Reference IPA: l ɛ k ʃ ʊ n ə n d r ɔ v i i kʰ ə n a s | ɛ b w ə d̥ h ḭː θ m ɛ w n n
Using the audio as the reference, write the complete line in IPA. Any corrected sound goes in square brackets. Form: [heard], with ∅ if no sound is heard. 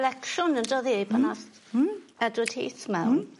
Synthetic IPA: l ɛ k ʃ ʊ n ə n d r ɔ [ð] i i [pʰ] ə n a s | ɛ [d] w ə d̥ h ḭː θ m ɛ w n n